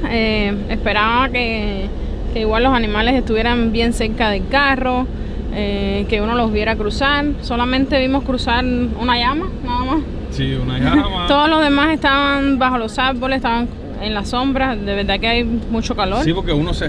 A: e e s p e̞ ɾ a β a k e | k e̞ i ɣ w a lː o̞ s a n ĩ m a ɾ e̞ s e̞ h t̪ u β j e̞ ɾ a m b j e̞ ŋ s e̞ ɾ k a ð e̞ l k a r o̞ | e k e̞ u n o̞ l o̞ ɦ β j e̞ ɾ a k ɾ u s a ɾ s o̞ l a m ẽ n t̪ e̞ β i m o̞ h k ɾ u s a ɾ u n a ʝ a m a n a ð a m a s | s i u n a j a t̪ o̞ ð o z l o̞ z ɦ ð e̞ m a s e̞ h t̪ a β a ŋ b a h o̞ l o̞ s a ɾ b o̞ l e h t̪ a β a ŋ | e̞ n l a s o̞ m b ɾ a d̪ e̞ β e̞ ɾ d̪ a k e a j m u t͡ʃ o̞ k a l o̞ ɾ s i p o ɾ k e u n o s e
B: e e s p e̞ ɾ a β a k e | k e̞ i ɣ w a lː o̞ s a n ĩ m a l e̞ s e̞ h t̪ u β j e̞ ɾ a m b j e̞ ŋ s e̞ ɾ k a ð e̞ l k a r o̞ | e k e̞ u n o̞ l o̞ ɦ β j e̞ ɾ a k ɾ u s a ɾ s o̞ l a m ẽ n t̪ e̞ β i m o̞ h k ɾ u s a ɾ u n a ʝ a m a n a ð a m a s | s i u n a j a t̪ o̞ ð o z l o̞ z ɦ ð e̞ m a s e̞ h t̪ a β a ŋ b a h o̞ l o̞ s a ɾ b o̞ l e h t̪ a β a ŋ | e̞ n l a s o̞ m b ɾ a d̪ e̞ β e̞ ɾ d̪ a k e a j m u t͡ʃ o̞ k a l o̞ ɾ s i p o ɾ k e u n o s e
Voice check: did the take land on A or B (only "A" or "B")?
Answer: B